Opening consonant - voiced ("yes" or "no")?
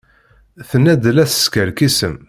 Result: no